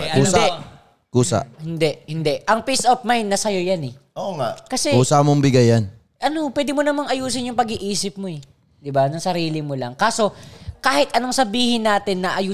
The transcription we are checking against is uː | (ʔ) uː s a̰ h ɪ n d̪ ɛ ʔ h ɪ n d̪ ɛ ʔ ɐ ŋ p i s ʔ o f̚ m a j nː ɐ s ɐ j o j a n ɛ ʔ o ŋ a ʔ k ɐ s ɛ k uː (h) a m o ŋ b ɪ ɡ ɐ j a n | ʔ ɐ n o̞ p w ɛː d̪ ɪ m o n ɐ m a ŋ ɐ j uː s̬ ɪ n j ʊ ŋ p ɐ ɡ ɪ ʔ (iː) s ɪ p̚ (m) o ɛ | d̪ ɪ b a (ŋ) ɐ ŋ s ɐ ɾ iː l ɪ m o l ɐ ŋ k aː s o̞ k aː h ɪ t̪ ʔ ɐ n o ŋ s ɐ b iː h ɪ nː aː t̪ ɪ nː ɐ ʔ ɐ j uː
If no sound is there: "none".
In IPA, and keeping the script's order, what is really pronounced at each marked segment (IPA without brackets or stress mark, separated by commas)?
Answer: k, s, iː, m, n